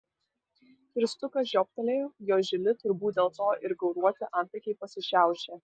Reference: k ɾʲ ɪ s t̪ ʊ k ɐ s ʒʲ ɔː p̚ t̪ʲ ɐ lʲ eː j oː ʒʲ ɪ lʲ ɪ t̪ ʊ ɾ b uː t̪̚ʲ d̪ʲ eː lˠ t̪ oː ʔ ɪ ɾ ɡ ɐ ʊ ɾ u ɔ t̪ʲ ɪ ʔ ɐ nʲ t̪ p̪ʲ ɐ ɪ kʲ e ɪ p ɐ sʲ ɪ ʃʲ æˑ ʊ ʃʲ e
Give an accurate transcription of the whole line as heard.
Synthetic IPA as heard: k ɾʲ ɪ s t̪ ʊ k ɐ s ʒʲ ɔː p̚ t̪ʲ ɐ lʲ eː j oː ʒʲ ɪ lʲ ɪ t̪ ʊ ɾ b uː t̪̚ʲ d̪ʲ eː lˠ t̪ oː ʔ ɪ ɾ ɡ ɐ ʊ ɾ u ɔ t̪ʲ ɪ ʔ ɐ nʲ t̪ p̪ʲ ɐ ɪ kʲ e ɪ p ɐ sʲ ɪ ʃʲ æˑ ʊ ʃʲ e